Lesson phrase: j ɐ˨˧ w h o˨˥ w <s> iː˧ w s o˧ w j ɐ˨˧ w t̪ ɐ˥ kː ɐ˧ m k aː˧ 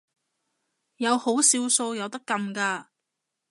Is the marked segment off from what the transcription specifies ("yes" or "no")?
no